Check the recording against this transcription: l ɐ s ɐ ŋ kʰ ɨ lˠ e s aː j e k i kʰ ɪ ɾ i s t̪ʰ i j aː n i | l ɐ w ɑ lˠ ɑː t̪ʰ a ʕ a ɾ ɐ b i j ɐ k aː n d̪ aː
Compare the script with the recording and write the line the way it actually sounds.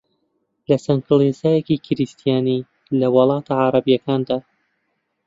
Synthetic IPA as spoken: l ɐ s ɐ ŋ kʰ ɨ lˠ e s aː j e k i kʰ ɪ ɾ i s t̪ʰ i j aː n i | l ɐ w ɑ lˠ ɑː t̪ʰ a ʕ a ɾ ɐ b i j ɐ k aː n d̪ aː